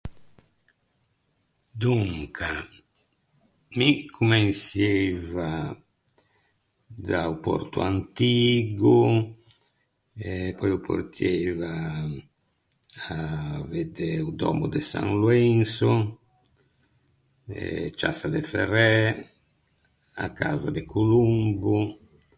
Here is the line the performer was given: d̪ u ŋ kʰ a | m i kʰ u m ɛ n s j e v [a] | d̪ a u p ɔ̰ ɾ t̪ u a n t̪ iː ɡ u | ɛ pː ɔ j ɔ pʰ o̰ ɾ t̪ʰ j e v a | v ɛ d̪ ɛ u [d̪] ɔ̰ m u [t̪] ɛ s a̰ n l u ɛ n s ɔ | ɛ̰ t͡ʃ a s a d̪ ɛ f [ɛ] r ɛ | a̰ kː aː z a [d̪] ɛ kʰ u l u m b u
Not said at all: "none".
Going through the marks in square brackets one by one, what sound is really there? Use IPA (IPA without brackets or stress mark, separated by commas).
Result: a, d̪, d̪, ɛ, d̪